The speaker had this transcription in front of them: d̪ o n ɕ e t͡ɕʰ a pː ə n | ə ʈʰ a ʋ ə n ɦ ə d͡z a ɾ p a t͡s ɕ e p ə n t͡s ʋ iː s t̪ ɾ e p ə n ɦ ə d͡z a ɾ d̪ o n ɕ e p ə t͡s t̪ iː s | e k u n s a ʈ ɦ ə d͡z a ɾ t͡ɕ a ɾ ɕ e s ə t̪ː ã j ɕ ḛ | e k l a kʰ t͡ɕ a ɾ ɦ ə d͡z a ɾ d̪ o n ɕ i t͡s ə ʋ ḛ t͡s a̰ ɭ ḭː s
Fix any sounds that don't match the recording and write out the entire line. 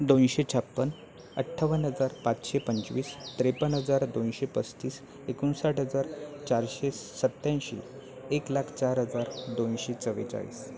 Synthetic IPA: d̪ o n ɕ e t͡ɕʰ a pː ə n | ə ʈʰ a ʋ ə n ɦ ə d͡z a ɾ p a t͡s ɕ e p ə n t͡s ʋ iː s t̪ ɾ e p ə n ɦ ə d͡z a ɾ d̪ o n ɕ e p ə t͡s t̪ iː s | e k u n s a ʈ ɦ ə d͡z a ɾ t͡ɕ a ɾ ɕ e s ə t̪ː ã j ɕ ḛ | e k l a kʰ t͡ɕ a ɾ ɦ ə d͡z a ɾ d̪ o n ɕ e t͡s ə ʋ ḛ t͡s a̰ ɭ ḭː s